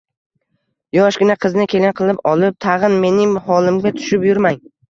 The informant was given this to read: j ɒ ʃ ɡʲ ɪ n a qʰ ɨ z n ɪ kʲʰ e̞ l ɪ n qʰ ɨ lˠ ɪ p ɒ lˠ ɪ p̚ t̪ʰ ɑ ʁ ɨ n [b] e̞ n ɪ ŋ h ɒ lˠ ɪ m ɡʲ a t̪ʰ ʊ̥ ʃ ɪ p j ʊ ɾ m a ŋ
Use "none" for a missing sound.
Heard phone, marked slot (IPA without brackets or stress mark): m